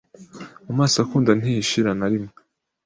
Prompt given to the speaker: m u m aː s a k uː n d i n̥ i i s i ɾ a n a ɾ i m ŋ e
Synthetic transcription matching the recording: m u m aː s a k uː n d a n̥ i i ʃ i ɾ a n a ɾ i m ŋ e